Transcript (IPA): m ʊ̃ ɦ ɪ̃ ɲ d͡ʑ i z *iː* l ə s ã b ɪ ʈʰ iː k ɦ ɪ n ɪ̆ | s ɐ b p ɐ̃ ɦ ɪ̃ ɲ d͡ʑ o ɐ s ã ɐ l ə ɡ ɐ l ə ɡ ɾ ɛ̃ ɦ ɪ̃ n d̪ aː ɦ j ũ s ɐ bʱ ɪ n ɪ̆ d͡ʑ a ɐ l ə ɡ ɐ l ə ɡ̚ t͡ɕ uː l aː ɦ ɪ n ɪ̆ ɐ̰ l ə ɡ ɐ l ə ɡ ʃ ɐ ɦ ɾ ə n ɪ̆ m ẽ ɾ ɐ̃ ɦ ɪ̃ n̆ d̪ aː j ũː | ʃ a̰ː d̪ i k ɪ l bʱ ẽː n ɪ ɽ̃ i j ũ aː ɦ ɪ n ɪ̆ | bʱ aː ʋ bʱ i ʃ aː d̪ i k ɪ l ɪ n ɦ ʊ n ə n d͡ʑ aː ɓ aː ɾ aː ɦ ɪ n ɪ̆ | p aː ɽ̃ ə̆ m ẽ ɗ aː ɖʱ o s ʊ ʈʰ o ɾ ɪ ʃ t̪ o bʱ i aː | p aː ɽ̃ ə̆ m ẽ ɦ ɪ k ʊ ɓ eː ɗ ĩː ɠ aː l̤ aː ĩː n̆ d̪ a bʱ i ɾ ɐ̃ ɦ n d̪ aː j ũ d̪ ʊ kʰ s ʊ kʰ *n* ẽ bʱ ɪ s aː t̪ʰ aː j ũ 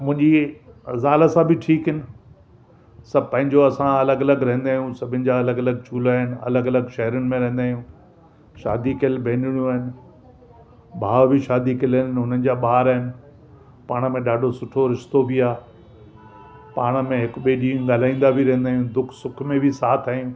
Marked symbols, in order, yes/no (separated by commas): no, no